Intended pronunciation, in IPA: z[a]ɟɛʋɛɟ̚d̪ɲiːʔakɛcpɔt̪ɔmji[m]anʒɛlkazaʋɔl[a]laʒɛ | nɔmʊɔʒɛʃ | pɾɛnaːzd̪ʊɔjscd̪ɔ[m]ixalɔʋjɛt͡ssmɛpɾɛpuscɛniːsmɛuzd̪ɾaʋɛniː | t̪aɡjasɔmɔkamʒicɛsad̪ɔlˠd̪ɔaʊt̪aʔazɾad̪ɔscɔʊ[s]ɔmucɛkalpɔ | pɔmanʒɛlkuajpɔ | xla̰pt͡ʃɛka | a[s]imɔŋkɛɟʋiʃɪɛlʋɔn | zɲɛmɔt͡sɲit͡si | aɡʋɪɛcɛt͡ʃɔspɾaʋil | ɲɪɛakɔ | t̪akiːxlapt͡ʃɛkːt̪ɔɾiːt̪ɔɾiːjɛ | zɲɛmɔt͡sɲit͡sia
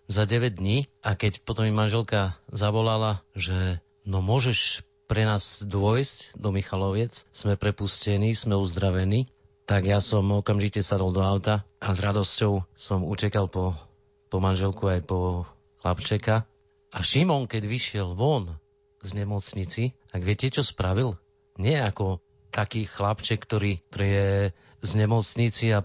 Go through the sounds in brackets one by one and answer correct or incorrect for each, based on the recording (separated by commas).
correct, correct, correct, correct, correct, incorrect